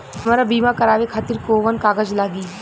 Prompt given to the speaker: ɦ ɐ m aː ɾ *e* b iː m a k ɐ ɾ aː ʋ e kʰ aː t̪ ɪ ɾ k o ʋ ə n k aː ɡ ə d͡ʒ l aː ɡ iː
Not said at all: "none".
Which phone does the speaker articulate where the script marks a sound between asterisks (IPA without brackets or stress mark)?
a